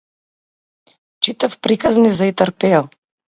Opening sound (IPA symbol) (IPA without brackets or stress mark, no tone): t͡ʃ